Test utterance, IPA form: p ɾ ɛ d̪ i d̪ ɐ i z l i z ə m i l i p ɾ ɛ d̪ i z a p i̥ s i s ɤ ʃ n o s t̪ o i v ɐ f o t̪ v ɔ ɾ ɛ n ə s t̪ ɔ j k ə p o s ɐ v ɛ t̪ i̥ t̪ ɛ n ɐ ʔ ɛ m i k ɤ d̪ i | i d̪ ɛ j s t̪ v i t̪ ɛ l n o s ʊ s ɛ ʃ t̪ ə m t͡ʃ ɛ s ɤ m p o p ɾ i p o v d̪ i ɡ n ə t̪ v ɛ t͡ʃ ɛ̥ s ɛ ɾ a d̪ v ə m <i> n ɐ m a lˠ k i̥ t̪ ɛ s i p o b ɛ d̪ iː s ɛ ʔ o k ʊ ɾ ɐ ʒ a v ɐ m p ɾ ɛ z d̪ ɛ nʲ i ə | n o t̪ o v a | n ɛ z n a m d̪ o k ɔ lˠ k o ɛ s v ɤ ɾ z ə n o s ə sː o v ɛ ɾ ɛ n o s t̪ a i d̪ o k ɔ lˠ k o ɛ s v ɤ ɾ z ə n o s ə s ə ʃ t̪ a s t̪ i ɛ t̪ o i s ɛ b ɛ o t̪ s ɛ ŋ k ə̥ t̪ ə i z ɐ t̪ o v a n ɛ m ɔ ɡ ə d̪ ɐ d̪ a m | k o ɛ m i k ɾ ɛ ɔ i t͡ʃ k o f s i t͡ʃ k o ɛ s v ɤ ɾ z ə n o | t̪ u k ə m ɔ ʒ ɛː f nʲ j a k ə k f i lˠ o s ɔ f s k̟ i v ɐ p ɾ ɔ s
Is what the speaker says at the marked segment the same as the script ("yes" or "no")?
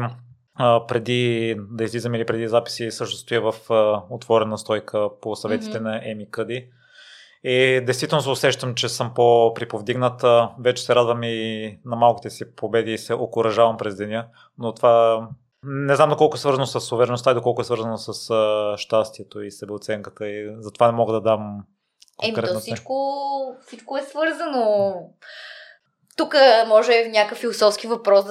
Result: yes